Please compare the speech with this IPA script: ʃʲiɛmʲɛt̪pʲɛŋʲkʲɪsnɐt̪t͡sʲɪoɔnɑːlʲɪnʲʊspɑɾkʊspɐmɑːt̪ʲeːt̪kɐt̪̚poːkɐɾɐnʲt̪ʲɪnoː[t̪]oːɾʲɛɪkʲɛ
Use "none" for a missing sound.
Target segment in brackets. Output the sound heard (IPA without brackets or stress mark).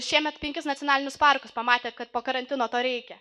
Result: t̪